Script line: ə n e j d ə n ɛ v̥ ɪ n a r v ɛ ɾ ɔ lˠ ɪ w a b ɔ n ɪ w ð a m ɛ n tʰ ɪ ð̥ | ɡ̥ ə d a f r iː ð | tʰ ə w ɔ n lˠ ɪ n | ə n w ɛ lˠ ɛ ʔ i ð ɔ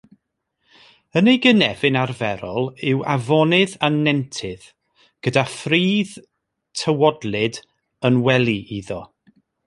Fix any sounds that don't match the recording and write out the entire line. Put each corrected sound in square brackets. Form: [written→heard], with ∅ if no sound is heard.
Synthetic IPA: ə n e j [d→ɡ] ə n ɛ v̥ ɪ n a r v ɛ ɾ ɔ lˠ ɪ w a [b→v] ɔ n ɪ [w→∅] ð a [m→n] ɛ n tʰ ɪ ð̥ | ɡ̥ ə d a f r iː ð | tʰ ə w ɔ [n→d] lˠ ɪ [n→d] | ə n w ɛ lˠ [ɛ→i] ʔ i ð ɔ